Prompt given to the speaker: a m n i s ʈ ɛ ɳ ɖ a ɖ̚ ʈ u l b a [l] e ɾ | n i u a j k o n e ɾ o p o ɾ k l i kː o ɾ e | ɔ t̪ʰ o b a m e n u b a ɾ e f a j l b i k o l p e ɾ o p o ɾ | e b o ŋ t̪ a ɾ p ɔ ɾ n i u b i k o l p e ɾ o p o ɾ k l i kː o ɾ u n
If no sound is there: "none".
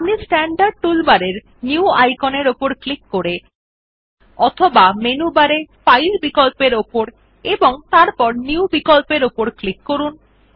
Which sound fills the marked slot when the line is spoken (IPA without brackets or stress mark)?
ɾ